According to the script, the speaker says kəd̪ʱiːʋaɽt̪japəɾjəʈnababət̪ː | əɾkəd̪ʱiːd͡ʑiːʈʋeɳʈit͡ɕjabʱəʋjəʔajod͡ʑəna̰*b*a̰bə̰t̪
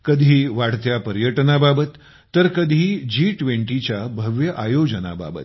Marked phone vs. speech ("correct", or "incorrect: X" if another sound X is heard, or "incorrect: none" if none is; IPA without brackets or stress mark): correct